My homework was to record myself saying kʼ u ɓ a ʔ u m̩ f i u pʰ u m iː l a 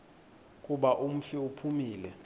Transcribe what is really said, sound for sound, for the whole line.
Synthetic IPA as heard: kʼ u ɓ a ʔ u m̩ f i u pʰ u m iː l ɛ